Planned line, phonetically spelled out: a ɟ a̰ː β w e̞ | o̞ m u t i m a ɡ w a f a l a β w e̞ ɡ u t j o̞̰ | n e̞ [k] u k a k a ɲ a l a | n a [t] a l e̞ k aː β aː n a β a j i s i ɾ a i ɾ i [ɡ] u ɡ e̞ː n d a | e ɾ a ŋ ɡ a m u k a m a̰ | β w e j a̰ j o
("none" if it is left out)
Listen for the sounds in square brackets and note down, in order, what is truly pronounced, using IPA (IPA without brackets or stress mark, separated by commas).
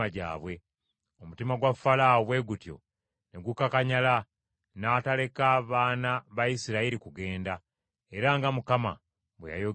ɡ, t, k